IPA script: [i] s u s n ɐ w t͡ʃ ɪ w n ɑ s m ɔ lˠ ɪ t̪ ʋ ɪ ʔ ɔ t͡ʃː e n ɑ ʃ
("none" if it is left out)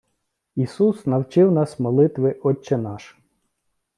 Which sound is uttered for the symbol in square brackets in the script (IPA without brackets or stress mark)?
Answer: i